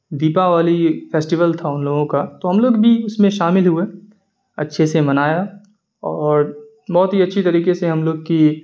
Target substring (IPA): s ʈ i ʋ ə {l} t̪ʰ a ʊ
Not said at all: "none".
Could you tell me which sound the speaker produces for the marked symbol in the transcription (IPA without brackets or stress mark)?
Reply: l